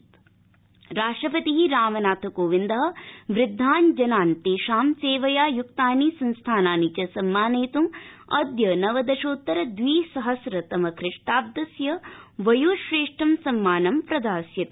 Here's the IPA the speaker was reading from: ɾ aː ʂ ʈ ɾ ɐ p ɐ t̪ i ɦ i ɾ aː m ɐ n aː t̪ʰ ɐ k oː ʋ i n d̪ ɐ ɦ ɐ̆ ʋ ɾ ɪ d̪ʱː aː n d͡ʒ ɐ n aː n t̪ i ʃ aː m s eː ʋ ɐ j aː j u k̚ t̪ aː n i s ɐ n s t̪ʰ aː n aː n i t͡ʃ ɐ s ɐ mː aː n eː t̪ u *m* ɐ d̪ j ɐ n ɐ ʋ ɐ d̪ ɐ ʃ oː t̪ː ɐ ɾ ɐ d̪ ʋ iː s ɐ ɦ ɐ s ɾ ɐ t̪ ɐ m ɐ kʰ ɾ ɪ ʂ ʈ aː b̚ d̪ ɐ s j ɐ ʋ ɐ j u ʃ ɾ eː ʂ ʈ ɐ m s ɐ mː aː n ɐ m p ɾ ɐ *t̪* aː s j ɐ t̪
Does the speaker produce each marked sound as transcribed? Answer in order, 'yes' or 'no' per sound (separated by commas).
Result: yes, no